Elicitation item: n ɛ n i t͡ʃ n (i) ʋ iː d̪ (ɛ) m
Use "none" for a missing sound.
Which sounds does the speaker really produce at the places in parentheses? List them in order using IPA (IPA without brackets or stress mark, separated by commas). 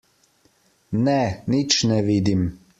ɛ, i